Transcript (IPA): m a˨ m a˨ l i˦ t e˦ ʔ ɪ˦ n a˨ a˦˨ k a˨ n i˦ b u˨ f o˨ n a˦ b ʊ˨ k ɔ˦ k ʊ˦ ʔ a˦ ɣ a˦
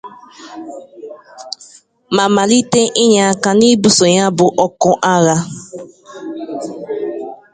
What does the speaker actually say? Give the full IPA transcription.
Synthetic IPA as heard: m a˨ m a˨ l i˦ t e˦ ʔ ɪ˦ ɲ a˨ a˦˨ k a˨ n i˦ b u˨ s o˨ ɲ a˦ b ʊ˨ ʔ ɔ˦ k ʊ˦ ʔ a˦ ɣ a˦

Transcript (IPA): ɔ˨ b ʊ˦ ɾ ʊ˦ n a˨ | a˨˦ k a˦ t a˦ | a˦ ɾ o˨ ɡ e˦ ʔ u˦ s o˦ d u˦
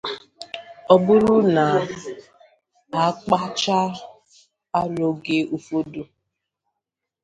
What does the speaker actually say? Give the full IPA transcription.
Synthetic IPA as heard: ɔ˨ b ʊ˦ ɾ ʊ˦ n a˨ | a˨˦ k͡p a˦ t͡ʃ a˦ | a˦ ɾ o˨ ɡ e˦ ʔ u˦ f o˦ d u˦

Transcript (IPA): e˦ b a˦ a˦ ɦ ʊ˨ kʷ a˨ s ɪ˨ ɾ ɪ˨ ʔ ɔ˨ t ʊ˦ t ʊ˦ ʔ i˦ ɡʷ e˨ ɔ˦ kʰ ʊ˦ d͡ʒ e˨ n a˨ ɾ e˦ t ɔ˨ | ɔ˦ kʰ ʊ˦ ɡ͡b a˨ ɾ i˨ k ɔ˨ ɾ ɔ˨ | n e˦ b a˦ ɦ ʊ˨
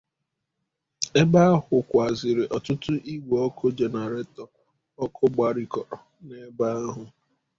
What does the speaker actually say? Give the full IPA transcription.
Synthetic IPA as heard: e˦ b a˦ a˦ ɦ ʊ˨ kʷ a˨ z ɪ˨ ɾ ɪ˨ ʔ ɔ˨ t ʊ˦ t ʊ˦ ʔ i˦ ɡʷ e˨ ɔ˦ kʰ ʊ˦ d͡ʒ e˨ n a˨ ɾ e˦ t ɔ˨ | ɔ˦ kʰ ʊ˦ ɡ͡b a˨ ɾ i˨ k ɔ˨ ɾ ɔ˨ | n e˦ b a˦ ɦ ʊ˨

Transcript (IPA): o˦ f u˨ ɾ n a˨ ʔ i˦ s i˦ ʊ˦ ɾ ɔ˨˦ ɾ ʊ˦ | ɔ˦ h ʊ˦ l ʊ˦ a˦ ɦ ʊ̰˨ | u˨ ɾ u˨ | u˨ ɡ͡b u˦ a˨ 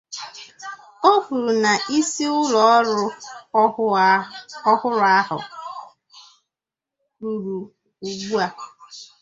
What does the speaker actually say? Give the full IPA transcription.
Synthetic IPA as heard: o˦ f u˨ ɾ n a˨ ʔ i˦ s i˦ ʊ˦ l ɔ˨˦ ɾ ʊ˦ | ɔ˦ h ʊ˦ ɾ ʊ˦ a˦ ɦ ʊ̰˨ | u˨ ɾ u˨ | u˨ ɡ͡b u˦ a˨

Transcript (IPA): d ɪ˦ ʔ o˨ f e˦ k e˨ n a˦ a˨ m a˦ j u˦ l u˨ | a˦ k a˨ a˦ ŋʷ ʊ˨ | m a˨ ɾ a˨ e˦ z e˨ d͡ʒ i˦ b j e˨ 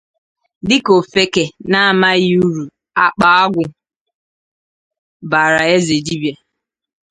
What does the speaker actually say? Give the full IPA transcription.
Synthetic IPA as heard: d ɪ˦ k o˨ f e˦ k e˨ n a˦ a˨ m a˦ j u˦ ɾ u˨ | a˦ k͡p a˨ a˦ ɡʷ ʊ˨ | b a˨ ɾ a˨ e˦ z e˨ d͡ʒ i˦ b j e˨

